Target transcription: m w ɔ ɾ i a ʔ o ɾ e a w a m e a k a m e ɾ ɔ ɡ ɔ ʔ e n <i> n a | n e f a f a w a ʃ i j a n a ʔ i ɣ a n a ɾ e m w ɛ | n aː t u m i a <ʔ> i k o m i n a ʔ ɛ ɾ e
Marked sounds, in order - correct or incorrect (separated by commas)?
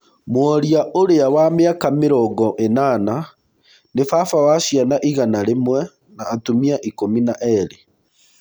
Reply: incorrect, correct